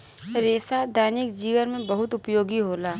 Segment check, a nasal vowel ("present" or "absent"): present